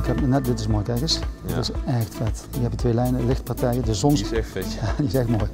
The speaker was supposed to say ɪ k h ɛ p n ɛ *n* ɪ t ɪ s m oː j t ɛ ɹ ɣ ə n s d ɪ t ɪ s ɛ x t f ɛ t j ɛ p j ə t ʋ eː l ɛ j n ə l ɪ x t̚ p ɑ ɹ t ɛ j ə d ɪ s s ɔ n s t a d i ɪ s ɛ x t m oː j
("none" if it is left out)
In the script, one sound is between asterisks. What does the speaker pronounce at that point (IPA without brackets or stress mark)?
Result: d